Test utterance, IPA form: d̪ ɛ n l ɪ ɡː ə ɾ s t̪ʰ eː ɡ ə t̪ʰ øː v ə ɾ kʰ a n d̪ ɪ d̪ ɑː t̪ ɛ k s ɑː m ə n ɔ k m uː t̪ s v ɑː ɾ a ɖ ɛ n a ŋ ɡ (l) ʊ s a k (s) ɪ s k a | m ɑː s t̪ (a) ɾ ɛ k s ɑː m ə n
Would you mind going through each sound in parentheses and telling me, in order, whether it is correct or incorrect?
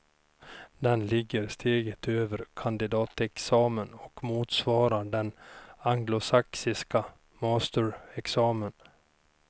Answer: correct, correct, incorrect: ə

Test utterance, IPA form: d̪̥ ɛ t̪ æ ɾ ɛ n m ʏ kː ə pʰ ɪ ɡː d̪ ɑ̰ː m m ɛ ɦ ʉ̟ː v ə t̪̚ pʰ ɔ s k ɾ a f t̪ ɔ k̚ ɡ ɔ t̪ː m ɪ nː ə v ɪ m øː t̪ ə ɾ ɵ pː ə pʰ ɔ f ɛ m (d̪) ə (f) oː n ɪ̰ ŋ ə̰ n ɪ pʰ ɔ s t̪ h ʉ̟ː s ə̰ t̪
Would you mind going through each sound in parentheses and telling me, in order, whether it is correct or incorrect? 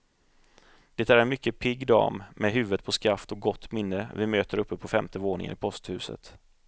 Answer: incorrect: t̪, incorrect: v

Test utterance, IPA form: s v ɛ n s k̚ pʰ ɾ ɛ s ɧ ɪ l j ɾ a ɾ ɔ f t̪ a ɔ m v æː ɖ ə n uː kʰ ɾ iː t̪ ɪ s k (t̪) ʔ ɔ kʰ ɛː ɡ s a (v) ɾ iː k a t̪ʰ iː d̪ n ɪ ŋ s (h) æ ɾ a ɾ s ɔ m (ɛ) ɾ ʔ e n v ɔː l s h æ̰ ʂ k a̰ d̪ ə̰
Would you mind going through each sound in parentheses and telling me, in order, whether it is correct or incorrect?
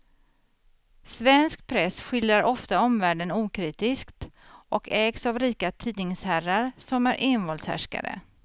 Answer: correct, correct, correct, incorrect: æ

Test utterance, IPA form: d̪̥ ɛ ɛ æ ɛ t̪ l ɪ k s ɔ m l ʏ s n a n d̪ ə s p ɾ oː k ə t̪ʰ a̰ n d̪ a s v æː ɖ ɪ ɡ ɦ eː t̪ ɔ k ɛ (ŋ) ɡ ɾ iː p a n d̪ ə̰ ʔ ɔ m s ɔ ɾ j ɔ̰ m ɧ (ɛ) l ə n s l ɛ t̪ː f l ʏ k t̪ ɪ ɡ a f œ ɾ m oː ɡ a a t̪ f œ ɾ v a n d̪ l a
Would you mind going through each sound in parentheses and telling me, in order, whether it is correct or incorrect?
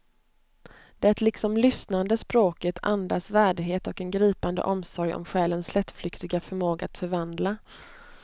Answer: incorrect: n, incorrect: ɛː

